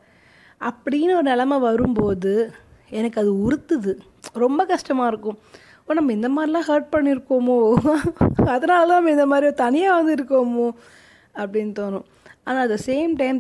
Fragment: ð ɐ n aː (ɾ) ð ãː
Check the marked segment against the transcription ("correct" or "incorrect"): incorrect